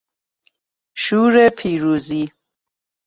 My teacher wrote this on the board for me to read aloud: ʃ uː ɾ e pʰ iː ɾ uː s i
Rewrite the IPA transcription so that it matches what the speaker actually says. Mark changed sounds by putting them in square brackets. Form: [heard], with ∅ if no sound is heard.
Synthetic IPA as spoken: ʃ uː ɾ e pʰ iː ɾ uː [z] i